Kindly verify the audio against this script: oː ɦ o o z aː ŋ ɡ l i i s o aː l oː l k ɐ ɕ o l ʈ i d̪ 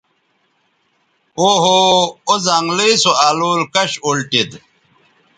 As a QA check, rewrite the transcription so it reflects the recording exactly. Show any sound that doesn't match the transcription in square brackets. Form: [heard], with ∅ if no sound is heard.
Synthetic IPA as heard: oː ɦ o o z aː ŋ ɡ l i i s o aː l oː l k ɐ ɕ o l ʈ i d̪